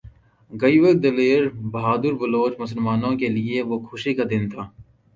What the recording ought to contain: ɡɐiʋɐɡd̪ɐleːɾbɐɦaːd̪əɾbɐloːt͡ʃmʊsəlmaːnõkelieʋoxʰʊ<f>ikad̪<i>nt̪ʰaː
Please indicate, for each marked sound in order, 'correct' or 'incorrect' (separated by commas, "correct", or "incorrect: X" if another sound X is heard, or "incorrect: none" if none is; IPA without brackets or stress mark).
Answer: incorrect: ʃ, incorrect: ɪ